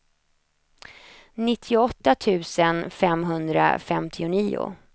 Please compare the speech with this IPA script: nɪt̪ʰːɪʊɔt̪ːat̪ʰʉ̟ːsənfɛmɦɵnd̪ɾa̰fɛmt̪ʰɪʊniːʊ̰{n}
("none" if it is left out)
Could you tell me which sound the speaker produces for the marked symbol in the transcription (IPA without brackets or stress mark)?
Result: none